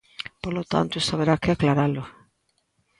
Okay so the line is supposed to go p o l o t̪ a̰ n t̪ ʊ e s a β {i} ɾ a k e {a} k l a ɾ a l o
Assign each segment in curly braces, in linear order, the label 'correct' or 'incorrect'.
incorrect: e, correct

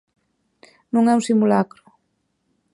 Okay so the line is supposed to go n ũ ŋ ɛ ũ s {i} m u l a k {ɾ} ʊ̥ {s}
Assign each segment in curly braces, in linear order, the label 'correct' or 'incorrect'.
correct, correct, incorrect: none

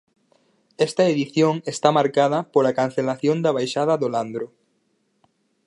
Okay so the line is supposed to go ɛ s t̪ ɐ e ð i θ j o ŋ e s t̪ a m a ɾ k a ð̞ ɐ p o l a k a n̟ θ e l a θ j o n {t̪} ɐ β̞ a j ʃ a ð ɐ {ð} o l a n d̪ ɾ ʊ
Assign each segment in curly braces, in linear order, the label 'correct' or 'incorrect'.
incorrect: d̪, correct

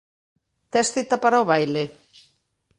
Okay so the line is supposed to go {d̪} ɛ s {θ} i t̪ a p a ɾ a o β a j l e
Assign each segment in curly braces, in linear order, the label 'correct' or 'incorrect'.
incorrect: t̪, correct

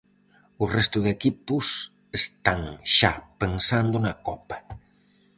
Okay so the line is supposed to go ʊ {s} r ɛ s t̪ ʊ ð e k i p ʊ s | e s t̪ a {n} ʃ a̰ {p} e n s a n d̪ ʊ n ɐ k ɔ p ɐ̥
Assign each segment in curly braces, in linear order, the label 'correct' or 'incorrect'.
incorrect: none, incorrect: ŋ, correct

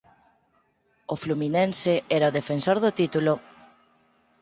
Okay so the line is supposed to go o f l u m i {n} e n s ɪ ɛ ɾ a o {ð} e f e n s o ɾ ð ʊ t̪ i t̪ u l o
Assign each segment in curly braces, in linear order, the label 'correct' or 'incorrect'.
correct, correct

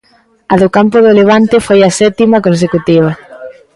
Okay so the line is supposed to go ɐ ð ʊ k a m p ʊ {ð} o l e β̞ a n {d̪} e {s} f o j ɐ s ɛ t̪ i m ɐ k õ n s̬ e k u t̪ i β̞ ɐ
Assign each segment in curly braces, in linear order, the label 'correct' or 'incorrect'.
correct, incorrect: t̪, incorrect: none

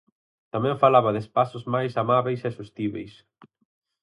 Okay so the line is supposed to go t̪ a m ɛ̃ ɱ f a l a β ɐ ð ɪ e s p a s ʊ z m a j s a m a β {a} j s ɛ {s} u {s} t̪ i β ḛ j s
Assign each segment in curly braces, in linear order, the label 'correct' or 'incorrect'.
incorrect: e, correct, correct

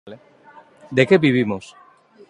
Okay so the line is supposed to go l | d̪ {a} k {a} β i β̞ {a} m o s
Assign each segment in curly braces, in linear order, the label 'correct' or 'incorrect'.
incorrect: e, incorrect: e, incorrect: i

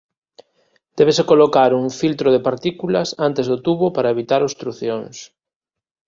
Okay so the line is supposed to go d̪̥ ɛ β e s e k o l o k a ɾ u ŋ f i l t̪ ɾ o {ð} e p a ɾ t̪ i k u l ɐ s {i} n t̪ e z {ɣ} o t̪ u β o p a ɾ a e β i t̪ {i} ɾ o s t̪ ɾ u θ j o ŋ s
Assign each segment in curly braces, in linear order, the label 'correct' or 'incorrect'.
correct, incorrect: a, incorrect: ð, incorrect: a

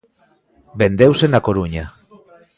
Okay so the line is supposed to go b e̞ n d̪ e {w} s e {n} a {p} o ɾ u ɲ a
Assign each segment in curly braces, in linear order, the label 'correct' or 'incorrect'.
correct, correct, incorrect: k

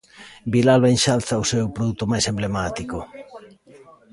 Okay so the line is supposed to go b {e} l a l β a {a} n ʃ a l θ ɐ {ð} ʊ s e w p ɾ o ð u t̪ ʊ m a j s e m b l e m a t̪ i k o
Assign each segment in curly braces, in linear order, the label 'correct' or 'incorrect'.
incorrect: i, incorrect: e, incorrect: none

